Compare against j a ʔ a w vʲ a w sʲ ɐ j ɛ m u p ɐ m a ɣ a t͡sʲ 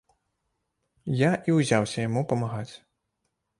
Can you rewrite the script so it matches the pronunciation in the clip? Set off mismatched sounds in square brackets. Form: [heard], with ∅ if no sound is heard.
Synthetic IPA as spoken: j a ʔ [i] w [zʲ] a w sʲ ɐ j [a] m u p ɐ m a ɣ a t͡sʲ